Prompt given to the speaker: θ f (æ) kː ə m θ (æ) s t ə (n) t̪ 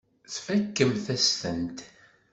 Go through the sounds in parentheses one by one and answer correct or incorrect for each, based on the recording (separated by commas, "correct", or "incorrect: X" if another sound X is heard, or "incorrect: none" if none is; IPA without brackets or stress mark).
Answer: correct, correct, correct